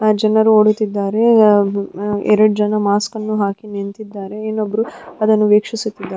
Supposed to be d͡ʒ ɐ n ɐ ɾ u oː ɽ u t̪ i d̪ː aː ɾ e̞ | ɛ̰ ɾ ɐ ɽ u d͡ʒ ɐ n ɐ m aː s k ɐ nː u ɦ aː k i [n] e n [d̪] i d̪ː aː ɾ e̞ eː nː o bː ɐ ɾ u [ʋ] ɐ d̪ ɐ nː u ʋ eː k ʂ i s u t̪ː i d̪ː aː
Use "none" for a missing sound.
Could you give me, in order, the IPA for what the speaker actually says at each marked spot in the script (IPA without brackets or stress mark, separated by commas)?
n, t̪, none